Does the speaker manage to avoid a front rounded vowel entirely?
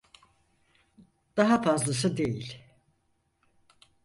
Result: yes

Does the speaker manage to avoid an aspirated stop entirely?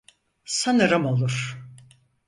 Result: yes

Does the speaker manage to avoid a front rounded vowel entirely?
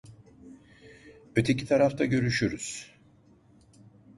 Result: no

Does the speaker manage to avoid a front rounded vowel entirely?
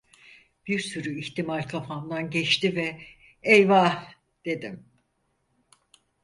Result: no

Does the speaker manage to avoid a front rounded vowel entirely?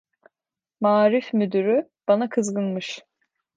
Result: no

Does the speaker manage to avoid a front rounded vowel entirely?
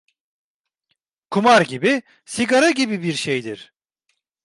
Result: yes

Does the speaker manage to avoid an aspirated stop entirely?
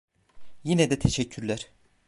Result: no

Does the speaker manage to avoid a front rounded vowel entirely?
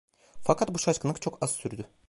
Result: no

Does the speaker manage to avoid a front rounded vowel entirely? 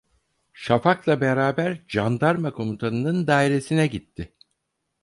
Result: yes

